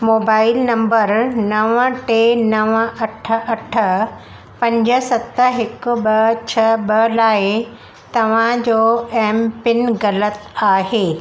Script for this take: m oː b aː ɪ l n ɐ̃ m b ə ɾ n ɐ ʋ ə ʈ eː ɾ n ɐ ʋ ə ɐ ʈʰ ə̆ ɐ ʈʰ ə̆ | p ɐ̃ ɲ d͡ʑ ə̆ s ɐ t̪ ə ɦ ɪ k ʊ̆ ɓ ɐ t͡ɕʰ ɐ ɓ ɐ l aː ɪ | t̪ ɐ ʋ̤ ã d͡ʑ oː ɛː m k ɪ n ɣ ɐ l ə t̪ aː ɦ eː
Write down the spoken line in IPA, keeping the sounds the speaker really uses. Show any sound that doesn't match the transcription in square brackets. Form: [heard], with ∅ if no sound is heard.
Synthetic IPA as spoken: m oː b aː ɪ l n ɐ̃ m b ə ɾ n ɐ ʋ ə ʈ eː [∅] n ɐ ʋ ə ɐ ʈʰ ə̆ ɐ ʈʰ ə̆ | p ɐ̃ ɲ d͡ʑ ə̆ s ɐ t̪ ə ɦ ɪ k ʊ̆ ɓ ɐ t͡ɕʰ ɐ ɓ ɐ l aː ɪ | t̪ ɐ ʋ̤ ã d͡ʑ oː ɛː m [p] ɪ n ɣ ɐ l ə t̪ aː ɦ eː